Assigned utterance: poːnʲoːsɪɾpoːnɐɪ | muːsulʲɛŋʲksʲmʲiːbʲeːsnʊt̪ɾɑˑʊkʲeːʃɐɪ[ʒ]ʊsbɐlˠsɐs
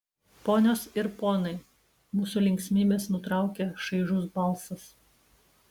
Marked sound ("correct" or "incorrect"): correct